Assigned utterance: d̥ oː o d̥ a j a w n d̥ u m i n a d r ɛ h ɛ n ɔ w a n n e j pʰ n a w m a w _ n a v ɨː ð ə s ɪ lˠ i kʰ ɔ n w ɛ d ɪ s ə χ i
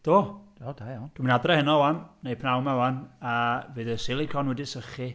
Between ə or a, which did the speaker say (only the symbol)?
a